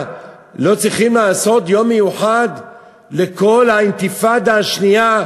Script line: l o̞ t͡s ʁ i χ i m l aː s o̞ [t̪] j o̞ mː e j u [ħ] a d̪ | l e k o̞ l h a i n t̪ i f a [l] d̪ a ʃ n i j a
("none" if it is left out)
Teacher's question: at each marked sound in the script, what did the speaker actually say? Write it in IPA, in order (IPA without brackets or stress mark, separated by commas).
t̪, ħ, none